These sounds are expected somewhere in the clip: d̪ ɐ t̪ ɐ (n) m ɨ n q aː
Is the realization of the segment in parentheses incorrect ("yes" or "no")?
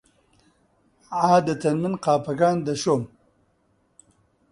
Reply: no